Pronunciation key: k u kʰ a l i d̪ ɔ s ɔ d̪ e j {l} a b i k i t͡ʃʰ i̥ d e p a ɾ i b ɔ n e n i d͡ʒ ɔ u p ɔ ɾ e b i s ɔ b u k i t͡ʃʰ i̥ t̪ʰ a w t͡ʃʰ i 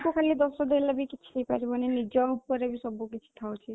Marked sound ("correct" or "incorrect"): correct